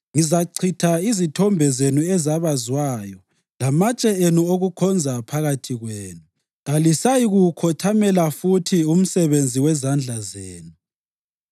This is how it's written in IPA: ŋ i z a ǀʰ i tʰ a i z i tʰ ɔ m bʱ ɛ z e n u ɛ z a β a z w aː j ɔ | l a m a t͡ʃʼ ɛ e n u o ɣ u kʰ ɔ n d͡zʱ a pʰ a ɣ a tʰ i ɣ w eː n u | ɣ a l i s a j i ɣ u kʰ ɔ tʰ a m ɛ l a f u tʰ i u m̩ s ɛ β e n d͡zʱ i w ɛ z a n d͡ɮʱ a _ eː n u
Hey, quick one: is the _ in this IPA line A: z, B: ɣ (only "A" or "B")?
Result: A